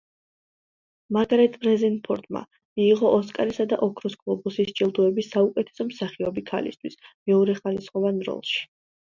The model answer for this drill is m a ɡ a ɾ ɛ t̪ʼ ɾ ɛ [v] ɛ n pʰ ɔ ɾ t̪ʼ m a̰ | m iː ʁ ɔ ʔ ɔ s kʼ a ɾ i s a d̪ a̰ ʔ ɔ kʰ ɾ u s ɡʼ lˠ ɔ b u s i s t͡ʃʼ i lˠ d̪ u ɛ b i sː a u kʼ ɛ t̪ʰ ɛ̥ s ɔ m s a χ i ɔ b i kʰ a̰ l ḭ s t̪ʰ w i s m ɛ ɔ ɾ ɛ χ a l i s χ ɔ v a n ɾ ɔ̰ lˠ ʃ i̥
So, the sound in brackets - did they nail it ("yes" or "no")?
no